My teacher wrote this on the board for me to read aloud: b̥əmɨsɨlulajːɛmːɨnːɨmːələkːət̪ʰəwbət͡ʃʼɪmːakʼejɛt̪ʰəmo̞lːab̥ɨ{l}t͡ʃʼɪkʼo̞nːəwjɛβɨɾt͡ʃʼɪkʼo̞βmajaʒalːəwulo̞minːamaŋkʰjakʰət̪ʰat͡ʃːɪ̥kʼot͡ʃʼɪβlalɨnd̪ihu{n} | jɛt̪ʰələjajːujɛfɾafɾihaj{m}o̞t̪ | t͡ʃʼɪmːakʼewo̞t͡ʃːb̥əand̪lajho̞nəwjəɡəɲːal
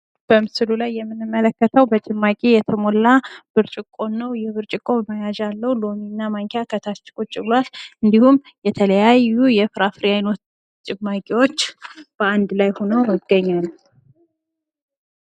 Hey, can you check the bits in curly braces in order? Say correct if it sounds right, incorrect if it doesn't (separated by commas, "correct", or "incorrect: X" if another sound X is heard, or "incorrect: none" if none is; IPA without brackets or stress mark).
incorrect: ɾ, incorrect: m, incorrect: n